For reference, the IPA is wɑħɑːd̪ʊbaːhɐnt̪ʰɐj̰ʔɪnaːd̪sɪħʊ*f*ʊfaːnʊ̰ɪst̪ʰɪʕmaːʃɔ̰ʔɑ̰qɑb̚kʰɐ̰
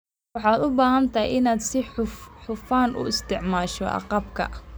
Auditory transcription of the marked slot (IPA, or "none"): ħ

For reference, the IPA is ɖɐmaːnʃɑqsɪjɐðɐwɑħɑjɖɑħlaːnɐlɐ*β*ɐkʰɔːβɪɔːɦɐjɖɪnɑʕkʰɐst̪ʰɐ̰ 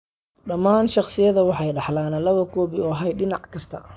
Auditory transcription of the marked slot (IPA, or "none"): β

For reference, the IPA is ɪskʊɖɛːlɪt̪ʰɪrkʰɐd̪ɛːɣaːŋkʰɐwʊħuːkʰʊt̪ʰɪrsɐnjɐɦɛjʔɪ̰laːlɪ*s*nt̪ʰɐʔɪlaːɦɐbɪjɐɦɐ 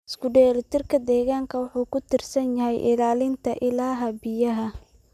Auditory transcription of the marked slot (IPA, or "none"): none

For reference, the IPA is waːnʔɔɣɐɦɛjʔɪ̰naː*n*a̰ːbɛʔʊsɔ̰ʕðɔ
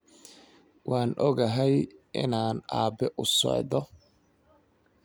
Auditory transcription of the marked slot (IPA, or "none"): n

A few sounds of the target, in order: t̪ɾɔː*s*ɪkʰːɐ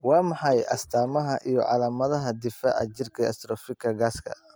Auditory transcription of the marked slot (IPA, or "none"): f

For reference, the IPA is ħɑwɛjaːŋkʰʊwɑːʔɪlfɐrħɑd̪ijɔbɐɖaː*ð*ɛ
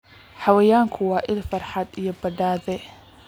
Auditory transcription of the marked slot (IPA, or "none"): ð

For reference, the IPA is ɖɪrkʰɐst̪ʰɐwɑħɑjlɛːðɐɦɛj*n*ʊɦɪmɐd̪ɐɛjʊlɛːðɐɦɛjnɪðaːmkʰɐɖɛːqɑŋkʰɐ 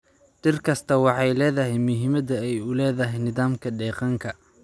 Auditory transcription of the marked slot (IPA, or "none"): m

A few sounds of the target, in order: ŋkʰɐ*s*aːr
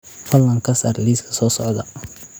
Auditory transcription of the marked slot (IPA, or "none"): s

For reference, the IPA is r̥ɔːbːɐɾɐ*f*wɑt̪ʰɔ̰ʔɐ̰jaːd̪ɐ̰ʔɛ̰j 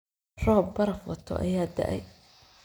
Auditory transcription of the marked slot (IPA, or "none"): f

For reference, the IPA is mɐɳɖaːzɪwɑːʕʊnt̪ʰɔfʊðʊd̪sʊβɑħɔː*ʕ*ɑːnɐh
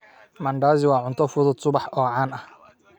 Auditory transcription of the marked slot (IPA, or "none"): ʕ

